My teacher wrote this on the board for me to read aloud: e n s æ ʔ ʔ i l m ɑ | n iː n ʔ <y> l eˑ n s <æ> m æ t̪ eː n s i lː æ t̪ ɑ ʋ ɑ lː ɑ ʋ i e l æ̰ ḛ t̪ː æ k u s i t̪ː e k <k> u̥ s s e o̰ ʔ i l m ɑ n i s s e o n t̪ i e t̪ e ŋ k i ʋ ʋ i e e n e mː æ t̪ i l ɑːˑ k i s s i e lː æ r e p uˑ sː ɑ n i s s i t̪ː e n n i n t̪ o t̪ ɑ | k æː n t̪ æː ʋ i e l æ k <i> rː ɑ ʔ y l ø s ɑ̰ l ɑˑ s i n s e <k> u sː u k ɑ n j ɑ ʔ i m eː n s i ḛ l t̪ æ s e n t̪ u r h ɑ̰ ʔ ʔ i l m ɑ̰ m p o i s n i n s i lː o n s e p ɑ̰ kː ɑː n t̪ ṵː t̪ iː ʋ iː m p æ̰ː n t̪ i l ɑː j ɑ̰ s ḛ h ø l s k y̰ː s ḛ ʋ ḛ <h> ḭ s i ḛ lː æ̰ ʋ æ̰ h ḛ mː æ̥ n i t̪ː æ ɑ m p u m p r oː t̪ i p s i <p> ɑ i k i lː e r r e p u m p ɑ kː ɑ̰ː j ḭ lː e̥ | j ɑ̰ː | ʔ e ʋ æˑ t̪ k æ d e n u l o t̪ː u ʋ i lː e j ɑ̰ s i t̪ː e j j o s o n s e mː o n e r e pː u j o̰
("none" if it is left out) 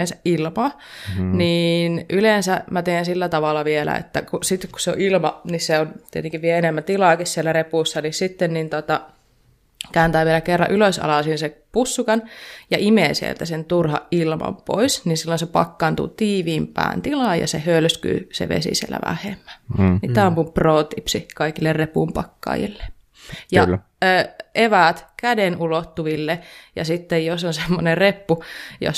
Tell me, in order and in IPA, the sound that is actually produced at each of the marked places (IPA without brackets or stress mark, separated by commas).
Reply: y, æ, k, e, p, s, k